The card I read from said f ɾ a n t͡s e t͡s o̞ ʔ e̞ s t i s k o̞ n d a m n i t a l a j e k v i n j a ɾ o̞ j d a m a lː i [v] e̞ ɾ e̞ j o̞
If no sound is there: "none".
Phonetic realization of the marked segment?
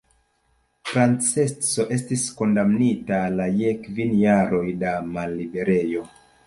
b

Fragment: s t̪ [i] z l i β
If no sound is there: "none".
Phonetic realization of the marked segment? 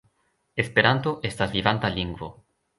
a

